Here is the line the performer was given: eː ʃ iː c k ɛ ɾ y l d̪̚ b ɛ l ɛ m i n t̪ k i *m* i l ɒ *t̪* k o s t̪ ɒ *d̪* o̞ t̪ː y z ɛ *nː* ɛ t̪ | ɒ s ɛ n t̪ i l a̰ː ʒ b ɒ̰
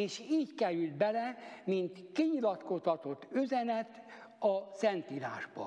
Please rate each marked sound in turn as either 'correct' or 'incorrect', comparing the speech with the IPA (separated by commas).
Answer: incorrect, correct, incorrect, incorrect